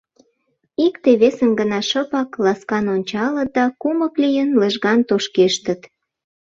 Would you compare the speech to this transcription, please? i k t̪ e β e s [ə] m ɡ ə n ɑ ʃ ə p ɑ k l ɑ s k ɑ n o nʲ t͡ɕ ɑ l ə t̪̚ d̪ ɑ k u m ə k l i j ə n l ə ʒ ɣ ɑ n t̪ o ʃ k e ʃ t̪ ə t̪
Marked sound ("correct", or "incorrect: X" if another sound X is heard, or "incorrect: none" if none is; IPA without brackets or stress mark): correct